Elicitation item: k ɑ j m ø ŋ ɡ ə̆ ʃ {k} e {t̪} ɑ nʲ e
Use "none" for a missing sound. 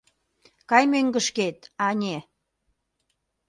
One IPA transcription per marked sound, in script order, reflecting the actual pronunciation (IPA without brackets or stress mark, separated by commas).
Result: k, t̪